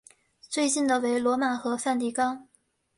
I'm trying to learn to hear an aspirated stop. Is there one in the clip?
no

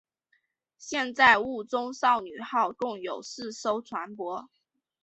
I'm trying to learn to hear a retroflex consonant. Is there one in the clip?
no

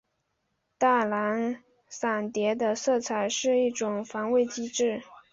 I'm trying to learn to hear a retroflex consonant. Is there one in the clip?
yes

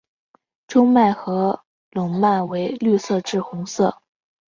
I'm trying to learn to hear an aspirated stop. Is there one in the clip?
no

